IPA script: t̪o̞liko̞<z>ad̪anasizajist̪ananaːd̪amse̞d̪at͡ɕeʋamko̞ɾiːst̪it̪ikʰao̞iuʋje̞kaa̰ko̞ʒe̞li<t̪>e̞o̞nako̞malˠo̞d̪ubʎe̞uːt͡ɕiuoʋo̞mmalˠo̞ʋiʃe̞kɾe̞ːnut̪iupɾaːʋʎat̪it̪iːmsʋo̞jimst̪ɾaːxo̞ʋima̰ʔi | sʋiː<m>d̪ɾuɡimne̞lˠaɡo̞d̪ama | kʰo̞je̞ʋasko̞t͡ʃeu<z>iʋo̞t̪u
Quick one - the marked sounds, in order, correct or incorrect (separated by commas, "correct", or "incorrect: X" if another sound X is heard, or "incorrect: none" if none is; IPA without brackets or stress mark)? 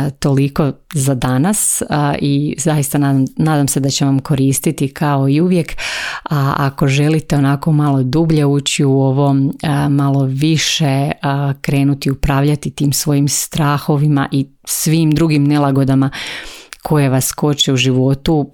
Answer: correct, correct, correct, incorrect: ʒ